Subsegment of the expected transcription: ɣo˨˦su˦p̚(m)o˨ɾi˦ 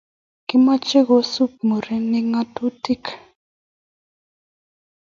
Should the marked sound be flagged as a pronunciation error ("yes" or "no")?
no